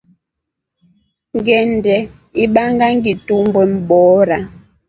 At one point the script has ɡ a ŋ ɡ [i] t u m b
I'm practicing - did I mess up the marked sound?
no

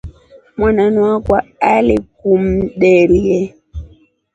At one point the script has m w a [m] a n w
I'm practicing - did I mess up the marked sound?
yes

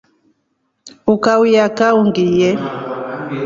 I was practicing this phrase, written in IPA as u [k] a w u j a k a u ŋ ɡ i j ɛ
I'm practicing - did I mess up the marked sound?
no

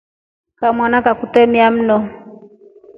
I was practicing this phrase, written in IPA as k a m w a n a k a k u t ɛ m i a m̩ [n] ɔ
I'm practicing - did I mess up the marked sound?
no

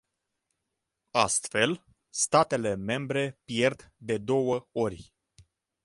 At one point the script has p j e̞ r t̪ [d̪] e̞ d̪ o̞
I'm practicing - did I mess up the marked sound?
no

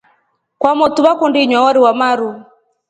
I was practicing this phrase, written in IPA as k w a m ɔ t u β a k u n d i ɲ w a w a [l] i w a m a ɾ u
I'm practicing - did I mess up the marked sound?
yes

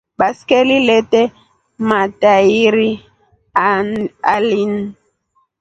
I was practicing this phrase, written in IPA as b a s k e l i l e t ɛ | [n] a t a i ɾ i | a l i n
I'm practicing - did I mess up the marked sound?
yes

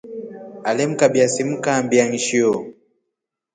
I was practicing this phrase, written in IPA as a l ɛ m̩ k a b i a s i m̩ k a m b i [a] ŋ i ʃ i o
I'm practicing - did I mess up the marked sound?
no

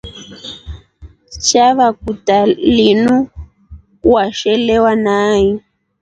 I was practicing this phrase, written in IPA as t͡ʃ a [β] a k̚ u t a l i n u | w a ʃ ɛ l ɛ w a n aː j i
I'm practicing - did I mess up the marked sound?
no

